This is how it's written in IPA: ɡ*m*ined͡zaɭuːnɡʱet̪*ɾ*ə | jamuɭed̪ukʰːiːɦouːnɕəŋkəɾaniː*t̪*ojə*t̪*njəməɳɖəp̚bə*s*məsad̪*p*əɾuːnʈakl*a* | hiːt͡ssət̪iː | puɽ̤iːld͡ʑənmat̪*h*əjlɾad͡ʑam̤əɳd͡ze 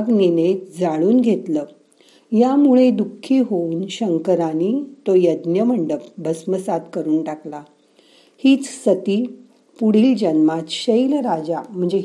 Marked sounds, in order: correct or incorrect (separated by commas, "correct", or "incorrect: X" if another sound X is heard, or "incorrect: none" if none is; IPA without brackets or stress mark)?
incorrect: n, incorrect: l, correct, incorrect: d̪, correct, incorrect: k, correct, incorrect: ɕ